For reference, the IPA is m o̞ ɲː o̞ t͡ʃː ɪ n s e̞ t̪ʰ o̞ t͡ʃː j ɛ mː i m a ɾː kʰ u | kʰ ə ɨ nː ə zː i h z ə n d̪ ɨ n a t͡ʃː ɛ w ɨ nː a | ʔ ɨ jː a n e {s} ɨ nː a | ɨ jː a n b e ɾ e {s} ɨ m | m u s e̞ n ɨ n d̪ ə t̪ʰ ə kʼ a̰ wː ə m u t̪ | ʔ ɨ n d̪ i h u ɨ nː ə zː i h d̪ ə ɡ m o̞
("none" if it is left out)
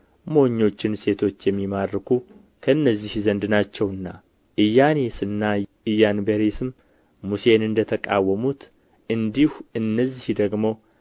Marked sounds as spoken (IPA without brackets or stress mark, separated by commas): s, s